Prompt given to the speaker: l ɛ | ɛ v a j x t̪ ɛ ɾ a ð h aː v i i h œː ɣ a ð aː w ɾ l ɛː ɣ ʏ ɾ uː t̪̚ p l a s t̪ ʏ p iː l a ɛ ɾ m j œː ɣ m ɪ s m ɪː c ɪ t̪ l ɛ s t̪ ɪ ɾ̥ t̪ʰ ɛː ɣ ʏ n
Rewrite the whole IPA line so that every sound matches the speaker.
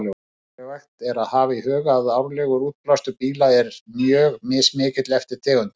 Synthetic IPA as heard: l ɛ | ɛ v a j x t̪ ɛ ɾ a ð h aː v a i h œː ɣ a ð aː w ɾ l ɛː ɣ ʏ ɾ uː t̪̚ p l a s t̪ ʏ p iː l a ɛ ɾ m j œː ɣ m ɪ s m ɪː c ɪ t̪ l ɛ f t̪ ɪ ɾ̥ t̪ʰ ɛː ɣ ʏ n